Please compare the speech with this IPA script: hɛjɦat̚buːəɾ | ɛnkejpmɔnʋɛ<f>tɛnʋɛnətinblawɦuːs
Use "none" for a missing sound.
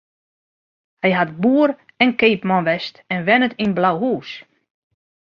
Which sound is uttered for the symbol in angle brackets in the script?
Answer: s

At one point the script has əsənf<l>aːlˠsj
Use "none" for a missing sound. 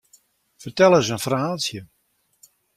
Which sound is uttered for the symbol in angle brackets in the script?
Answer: r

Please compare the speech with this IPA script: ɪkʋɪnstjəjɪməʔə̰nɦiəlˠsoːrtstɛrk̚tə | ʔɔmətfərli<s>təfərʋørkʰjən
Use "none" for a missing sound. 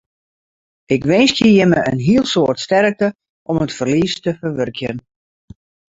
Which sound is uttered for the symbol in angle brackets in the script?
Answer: s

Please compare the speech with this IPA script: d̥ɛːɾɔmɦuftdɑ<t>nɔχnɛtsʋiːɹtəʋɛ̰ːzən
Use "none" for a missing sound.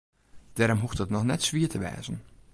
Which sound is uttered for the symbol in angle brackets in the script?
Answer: t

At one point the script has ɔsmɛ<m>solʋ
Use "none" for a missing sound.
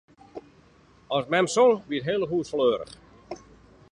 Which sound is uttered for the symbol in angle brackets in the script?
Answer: m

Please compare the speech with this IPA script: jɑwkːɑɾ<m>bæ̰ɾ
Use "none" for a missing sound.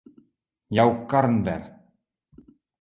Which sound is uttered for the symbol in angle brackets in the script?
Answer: n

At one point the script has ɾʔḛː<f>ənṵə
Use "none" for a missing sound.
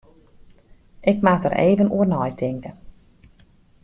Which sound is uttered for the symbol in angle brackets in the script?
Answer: v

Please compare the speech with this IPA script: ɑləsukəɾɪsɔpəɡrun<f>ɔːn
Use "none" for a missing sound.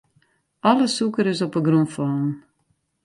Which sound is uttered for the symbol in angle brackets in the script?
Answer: f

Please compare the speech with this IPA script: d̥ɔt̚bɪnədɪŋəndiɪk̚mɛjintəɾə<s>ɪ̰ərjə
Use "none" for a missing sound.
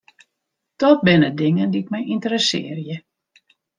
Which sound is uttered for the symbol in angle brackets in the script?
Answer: s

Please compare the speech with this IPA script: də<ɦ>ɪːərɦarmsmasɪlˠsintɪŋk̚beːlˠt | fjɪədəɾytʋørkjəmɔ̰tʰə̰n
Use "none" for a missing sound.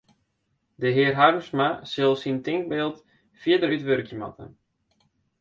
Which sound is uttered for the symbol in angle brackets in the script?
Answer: ɦ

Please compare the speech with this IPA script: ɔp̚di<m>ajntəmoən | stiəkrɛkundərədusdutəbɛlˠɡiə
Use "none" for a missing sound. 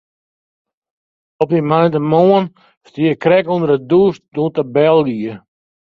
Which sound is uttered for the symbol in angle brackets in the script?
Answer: m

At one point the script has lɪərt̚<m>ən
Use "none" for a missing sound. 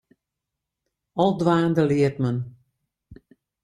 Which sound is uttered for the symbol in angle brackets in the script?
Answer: m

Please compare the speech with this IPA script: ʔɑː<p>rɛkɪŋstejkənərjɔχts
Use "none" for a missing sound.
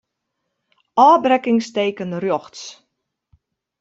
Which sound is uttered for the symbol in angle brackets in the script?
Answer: b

